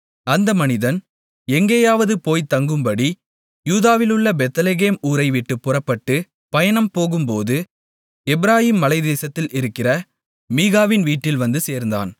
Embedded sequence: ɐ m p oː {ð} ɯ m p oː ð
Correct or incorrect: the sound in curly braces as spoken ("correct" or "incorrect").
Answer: incorrect